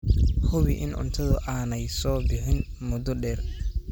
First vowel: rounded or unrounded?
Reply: rounded